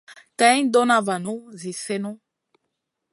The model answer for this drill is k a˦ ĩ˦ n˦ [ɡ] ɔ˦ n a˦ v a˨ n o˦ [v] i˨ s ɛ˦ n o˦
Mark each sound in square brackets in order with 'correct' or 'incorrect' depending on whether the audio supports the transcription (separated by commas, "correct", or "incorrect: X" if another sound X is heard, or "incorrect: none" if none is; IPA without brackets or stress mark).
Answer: incorrect: d, incorrect: z